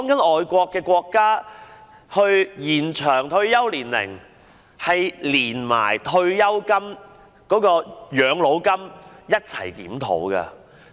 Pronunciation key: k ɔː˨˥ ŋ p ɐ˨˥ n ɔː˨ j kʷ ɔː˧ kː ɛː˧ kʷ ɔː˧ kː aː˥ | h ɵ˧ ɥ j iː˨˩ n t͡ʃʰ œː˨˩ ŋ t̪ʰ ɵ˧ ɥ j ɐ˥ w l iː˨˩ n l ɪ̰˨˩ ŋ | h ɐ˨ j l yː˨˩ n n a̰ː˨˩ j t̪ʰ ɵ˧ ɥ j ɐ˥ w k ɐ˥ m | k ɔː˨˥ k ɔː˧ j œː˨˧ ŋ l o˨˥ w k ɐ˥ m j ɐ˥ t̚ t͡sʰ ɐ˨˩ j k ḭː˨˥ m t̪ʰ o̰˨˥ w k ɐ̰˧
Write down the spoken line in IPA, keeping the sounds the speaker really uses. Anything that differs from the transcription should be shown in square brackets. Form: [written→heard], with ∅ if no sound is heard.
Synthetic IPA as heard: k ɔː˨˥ ŋ [p→k] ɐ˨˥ n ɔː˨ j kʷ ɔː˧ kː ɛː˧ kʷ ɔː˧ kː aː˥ | h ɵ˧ ɥ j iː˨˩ n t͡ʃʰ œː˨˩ ŋ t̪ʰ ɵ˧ ɥ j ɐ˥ w l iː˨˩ n l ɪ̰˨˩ ŋ | h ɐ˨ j l [yː˨˩→iː˨˩] n [n→m] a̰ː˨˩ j t̪ʰ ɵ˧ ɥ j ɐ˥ w k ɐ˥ m | k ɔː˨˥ k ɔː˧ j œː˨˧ ŋ l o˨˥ w k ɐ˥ m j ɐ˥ t̚ t͡sʰ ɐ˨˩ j k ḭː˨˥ m t̪ʰ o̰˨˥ w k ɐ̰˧